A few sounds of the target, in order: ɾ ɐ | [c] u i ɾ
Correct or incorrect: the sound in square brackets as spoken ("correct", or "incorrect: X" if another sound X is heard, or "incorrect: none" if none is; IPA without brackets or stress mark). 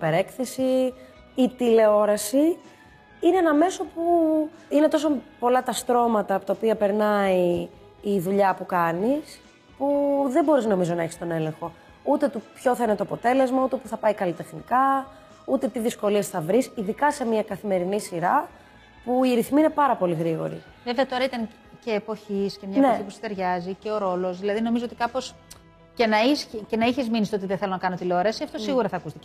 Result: incorrect: p